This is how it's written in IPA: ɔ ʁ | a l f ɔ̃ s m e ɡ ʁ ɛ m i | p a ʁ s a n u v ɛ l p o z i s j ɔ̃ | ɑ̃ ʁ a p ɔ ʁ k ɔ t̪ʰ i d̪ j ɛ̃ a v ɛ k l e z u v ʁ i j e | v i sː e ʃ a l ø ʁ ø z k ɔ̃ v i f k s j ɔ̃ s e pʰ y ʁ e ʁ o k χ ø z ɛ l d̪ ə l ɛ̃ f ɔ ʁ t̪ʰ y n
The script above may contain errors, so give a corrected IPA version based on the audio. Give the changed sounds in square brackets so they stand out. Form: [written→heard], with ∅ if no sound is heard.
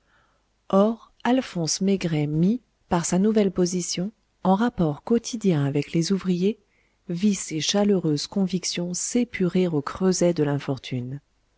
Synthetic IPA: ɔ ʁ | a l f ɔ̃ s m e ɡ ʁ ɛ m i | p a ʁ s a n u v ɛ l p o z i s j ɔ̃ | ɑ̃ ʁ a p ɔ ʁ k ɔ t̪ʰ i d̪ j ɛ̃ a v ɛ k l e z u v ʁ i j e | v i [sː→s] e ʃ a l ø ʁ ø z k ɔ̃ v i [f→∅] k s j ɔ̃ s e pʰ y ʁ e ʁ o k χ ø z ɛ [l→∅] d̪ ə l ɛ̃ f ɔ ʁ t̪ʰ y n